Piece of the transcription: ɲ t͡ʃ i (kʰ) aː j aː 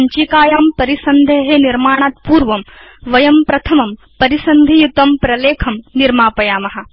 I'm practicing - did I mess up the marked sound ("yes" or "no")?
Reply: yes